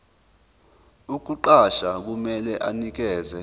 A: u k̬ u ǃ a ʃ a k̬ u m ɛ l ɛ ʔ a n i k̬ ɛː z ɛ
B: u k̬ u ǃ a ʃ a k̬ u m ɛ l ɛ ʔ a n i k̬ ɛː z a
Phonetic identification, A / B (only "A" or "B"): A